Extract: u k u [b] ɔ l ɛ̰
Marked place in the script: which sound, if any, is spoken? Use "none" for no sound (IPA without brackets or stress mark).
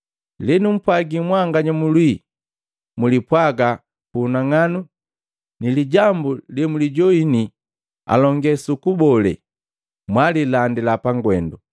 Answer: b